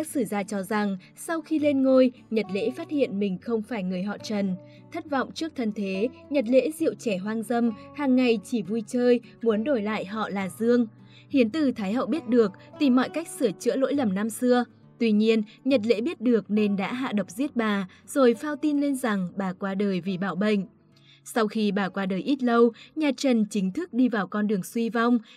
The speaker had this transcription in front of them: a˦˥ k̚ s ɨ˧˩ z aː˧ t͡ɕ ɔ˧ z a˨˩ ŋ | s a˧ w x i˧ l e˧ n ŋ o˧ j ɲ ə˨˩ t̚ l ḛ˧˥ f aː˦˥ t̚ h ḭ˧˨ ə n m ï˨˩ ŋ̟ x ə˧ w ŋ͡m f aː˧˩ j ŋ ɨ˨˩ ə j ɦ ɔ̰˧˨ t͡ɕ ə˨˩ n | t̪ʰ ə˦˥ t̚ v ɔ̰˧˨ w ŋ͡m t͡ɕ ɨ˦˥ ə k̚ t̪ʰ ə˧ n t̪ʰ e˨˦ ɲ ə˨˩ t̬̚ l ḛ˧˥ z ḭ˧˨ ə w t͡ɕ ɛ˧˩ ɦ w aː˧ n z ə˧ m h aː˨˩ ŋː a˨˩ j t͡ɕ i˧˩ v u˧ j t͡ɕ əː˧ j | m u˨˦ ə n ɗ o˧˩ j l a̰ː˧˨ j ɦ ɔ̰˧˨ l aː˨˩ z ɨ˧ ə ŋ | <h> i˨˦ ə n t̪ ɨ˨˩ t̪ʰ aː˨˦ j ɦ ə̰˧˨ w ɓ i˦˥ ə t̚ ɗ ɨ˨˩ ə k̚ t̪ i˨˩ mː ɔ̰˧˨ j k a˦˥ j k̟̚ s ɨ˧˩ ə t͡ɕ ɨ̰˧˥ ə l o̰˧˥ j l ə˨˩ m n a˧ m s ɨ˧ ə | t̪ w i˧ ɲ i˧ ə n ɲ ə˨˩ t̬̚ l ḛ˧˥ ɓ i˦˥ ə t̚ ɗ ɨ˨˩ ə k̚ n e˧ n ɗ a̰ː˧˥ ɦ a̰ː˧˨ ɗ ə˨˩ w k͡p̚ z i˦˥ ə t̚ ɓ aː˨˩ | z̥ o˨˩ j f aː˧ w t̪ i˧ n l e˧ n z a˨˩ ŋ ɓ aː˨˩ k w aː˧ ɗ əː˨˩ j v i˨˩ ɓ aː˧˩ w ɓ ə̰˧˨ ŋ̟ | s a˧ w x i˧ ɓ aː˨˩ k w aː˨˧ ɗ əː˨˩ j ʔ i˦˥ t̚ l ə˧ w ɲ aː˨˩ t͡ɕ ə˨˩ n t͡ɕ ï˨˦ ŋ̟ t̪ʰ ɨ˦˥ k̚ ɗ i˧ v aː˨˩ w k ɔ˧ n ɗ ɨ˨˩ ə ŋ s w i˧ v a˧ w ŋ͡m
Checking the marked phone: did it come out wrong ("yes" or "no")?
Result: no